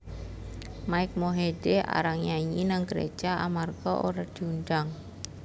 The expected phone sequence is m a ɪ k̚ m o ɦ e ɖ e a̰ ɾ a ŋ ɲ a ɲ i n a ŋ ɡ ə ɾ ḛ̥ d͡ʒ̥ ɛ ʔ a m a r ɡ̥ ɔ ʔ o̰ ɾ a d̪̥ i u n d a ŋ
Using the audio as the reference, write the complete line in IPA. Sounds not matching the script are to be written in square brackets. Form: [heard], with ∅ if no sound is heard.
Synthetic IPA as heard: m a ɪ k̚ m o ɦ e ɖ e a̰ ɾ a ŋ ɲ a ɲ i n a ŋ ɡ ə ɾ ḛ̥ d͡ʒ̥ [a] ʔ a m a r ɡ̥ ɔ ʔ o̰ ɾ a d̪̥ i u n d a ŋ